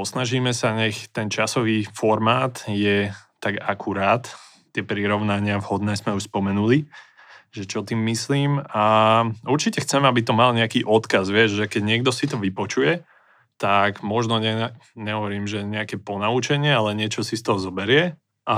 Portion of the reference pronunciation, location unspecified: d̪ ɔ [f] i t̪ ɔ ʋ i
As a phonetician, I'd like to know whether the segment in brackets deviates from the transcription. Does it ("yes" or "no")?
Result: yes